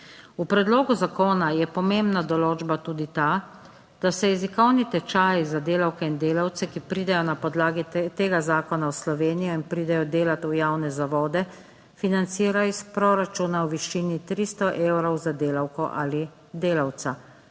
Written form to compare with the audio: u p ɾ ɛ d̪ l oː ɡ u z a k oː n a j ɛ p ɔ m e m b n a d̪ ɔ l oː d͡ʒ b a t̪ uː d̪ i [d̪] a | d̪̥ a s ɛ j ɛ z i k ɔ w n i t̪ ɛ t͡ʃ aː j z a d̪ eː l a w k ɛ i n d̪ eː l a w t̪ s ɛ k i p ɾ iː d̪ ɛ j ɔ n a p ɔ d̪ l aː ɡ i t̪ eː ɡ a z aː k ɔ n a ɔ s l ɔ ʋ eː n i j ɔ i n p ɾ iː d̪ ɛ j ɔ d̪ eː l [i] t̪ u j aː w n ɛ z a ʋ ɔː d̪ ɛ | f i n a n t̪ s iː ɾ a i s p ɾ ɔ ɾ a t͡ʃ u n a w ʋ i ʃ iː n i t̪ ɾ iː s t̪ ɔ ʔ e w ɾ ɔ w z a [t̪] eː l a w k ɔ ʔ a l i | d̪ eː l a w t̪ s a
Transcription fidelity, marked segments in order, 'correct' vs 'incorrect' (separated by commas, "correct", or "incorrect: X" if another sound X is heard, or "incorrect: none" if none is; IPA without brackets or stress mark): incorrect: t̪, incorrect: a, incorrect: d̪